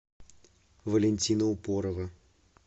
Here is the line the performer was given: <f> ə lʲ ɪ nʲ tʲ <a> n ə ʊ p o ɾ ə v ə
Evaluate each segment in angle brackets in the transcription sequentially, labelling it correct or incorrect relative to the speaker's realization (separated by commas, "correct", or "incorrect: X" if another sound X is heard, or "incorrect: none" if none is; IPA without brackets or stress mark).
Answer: incorrect: v, incorrect: i